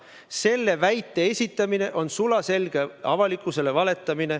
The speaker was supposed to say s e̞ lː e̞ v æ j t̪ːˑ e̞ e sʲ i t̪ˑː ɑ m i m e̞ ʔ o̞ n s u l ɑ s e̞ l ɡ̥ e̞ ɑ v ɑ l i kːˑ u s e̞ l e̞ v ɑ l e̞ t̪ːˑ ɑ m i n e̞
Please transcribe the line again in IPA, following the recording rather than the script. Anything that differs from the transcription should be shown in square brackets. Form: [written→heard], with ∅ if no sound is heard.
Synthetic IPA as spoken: s e̞ lː e̞ v æ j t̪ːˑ e̞ e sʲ i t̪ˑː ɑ m i [m→n] e̞ ʔ o̞ n s u l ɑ s e̞ l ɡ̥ e̞ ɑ v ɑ l i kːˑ u s e̞ l e̞ v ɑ l e̞ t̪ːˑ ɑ m i n e̞